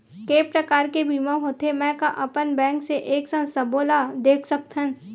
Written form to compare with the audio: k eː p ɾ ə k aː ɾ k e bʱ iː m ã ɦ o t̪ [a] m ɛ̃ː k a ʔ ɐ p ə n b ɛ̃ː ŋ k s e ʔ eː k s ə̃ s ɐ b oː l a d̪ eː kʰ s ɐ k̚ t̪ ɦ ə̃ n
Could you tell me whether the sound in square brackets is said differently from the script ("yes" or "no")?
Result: yes